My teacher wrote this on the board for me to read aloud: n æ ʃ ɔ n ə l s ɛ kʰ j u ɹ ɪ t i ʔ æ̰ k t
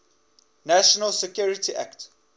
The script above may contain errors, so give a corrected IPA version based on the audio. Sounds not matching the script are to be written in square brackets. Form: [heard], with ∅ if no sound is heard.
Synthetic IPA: n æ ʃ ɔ n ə l s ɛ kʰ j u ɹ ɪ t i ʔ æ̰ k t